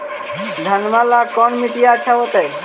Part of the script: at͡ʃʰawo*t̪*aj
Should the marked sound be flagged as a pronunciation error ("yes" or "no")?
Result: no